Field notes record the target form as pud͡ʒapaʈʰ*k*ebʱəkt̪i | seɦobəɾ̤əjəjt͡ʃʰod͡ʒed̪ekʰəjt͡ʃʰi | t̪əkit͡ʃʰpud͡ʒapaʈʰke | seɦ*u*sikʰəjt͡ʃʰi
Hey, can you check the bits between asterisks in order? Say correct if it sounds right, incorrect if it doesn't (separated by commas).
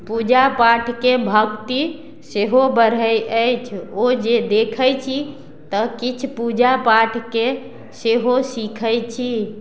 correct, incorrect